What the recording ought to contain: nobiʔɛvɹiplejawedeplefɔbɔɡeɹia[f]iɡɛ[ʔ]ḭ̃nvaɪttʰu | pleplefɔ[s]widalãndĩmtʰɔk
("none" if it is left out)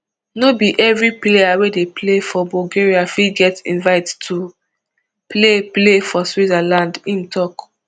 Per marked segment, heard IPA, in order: f, t, s

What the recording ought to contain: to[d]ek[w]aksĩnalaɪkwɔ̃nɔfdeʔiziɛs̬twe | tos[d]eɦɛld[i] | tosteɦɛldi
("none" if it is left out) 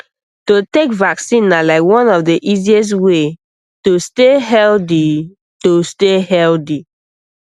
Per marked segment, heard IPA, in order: t, v, t, i

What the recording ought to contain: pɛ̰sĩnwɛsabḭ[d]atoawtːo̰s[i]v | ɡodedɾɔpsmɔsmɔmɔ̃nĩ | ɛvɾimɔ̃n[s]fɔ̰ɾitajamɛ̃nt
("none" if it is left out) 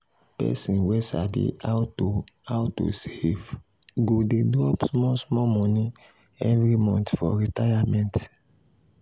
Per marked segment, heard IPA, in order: none, e, t

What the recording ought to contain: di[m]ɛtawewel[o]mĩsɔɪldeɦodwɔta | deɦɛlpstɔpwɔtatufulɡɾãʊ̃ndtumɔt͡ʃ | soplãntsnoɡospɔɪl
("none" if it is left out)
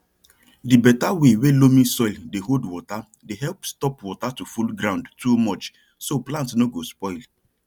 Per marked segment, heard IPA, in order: b, o

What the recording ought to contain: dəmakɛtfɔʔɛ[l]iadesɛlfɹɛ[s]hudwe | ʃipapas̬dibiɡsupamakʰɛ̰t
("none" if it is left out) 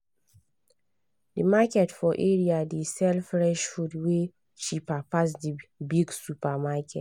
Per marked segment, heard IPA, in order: ɹ, ʃ

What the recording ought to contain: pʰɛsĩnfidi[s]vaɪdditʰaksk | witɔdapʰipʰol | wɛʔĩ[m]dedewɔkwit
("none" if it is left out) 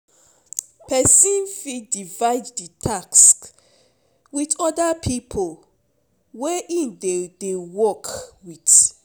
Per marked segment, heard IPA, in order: none, n

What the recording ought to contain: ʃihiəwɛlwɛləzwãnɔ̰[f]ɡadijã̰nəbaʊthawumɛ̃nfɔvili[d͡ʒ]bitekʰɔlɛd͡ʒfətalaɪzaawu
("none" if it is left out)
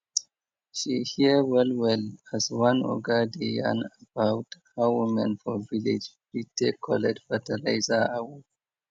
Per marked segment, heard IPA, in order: none, d͡ʒ

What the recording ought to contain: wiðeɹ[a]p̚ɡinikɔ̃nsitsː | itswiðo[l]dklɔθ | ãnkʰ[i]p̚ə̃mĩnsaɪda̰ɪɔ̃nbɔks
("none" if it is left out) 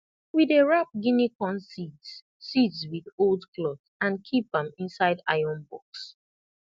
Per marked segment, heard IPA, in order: a, l, i

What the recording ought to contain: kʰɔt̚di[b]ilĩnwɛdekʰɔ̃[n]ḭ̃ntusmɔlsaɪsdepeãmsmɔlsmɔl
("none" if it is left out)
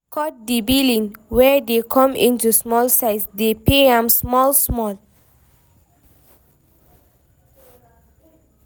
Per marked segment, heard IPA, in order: b, m

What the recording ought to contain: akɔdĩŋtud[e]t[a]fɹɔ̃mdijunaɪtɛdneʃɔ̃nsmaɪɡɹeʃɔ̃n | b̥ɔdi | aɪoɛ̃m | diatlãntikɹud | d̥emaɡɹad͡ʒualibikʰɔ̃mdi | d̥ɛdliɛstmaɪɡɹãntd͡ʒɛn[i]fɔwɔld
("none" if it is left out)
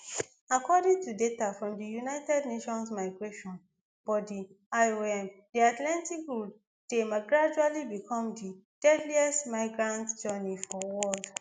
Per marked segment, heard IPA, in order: e, a, i

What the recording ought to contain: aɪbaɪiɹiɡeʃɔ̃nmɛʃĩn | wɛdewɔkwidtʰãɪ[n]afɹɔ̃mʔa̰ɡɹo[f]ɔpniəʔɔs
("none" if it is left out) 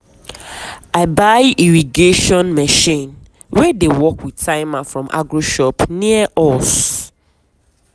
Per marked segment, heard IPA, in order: m, ʃ

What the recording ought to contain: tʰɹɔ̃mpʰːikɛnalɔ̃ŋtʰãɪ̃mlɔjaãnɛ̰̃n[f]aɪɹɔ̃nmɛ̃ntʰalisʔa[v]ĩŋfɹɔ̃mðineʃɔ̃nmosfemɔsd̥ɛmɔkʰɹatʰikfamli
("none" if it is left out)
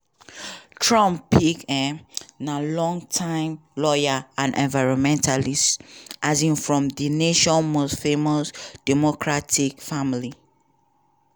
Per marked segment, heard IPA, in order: v, z

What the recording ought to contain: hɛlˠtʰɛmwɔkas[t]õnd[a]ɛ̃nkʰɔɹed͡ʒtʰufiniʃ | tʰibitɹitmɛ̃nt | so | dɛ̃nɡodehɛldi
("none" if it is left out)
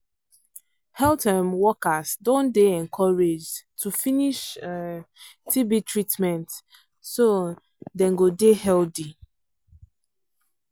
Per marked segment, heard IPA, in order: d, e

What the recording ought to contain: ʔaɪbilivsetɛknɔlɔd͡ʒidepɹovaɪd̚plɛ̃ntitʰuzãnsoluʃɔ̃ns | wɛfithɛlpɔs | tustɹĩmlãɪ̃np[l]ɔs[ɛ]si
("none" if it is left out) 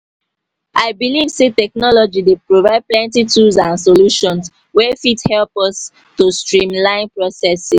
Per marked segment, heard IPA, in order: ɹ, ɛ

